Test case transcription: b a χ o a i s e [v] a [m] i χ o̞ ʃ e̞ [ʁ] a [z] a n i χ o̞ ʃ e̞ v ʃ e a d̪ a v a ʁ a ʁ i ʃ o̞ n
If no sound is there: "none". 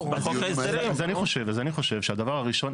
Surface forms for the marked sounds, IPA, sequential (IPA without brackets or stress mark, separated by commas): z, n, v, z